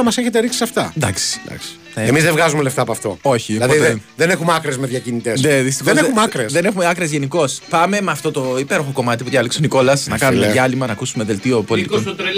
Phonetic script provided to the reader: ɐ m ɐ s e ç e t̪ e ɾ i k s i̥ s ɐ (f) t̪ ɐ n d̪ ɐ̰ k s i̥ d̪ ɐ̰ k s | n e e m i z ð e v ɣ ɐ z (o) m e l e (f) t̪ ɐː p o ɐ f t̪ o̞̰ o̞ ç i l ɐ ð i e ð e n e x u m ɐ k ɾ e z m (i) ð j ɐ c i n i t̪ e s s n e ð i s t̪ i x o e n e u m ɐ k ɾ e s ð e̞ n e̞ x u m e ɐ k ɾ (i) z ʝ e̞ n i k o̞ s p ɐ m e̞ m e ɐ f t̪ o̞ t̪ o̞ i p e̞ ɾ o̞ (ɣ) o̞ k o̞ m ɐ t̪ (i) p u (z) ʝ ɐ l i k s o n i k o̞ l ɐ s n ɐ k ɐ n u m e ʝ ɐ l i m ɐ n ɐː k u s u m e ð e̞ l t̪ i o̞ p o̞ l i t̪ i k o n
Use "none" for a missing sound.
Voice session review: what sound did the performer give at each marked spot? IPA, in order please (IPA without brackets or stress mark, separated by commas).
f, u, f, e, e, x, i, ð